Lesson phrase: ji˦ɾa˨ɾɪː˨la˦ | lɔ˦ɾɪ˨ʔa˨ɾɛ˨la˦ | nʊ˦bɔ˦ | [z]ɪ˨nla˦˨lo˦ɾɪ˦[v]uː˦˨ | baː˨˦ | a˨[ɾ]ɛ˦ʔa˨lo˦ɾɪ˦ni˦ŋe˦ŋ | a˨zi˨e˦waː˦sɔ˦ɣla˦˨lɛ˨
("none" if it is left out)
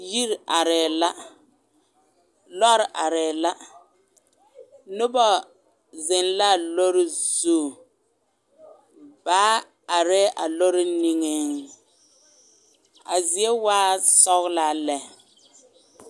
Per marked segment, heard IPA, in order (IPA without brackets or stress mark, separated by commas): z, z, ɾ